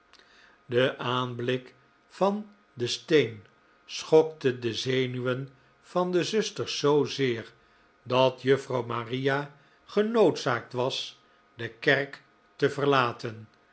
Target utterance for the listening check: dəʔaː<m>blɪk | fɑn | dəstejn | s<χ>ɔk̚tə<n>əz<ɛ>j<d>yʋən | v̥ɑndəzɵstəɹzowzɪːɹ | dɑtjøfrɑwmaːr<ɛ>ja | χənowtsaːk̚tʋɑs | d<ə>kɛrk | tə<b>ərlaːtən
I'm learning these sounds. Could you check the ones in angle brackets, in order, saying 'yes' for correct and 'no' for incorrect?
no, yes, no, no, no, no, yes, no

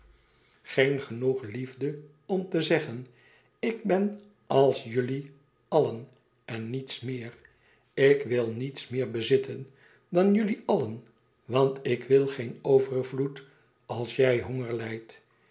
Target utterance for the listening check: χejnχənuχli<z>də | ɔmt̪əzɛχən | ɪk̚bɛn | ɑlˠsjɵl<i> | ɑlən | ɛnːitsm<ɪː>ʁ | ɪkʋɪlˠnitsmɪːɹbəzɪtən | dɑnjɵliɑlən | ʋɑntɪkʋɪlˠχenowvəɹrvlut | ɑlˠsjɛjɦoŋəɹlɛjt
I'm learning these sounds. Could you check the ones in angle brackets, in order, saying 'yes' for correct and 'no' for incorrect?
no, yes, yes

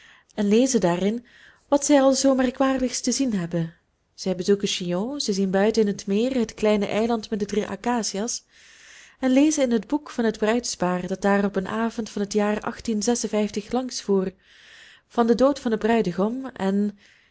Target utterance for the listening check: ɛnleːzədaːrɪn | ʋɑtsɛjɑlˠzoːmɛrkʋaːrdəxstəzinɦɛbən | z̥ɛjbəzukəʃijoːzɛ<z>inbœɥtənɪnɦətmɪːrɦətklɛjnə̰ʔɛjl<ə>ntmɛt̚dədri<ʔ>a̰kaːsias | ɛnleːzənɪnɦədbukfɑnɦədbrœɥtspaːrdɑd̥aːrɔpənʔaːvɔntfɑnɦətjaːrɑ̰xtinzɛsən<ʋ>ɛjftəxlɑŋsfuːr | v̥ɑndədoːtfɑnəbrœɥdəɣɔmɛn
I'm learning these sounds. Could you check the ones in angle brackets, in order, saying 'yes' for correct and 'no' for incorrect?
yes, no, yes, no

